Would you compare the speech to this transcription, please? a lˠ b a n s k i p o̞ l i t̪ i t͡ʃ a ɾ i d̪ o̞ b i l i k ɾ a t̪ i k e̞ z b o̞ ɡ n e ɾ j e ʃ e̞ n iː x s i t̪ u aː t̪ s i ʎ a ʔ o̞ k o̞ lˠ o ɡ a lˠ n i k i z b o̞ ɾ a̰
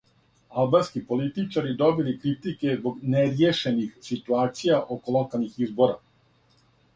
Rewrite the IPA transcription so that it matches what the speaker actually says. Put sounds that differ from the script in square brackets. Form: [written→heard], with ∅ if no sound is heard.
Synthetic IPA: a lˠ b a n s k i p o̞ l i t̪ i t͡ʃ a ɾ i d̪ o̞ b i l i k ɾ [a→i] t̪ i k e̞ z b o̞ ɡ n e ɾ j e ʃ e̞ n [iː→i] x s i t̪ u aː t̪ s i [ʎ→j] a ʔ o̞ k o̞ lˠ o [ɡ→k] a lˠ n i [k→x] i z b o̞ ɾ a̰